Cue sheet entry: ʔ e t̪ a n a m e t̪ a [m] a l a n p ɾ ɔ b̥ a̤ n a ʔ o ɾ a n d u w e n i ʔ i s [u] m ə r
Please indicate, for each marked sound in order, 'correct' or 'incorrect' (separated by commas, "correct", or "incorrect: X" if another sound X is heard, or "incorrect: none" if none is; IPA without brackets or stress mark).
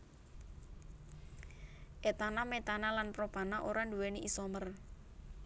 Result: incorrect: n, incorrect: ɔ